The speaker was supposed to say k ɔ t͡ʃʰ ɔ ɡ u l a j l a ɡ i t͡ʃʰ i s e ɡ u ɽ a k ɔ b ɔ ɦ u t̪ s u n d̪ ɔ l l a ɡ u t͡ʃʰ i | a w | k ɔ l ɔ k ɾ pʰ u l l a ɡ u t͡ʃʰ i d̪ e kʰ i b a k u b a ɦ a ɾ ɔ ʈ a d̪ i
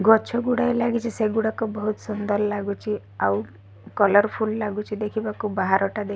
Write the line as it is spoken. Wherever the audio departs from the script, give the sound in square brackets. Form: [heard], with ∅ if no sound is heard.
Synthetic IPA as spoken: [ɡ] ɔ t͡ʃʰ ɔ ɡ u [ɽ] a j l a ɡ i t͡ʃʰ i s e ɡ u ɽ a k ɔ b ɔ ɦ u t̪ s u n d̪ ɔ l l a ɡ u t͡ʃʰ i | a w | k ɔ l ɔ [∅] ɾ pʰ u l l a ɡ u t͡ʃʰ i d̪ e kʰ i b a k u b a ɦ a ɾ ɔ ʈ a d̪ [e]